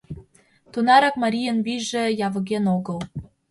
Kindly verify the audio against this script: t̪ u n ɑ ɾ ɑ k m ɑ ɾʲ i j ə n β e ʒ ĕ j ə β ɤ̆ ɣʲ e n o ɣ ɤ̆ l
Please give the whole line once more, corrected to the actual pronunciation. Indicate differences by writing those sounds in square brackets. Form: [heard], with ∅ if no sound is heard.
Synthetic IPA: t̪ u n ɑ ɾ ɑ k m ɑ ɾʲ i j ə n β [i] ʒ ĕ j [ɑ] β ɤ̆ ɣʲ e n o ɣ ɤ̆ l